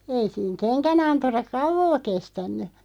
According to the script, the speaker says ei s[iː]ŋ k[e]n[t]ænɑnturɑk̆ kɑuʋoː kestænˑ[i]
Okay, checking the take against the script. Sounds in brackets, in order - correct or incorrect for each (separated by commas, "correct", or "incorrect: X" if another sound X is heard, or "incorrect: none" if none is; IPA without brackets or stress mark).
correct, correct, incorrect: k, incorrect: y